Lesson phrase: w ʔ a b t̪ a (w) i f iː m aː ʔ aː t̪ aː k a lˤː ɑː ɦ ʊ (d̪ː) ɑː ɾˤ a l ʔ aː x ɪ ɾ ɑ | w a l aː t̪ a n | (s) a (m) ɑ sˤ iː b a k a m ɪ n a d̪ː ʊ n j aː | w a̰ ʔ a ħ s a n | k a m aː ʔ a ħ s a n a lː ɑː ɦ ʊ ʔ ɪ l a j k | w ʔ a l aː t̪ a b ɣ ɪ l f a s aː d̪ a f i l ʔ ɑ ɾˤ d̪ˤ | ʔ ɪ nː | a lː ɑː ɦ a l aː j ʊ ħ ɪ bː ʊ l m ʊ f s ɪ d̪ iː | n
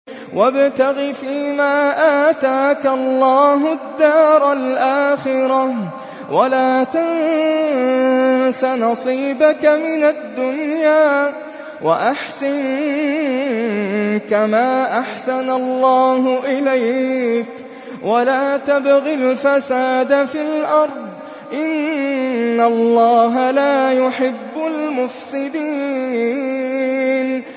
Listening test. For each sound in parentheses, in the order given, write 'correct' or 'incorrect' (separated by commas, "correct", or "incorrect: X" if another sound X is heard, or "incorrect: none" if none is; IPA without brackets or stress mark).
incorrect: ɣ, correct, correct, incorrect: n